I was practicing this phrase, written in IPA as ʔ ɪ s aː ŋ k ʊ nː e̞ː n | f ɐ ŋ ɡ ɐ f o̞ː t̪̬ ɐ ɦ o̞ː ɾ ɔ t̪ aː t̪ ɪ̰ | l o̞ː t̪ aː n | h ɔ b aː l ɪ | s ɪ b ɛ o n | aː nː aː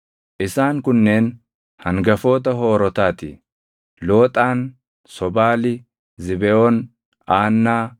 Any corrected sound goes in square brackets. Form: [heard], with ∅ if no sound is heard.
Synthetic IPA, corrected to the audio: ʔ ɪ s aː ŋ k ʊ nː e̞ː n | [h] ɐ ŋ ɡ ɐ f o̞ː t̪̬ ɐ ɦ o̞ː ɾ ɔ t̪ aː t̪ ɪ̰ | l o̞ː [t̪ʼ] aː n | [s] ɔ b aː l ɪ | [z] ɪ b ɛ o n | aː nː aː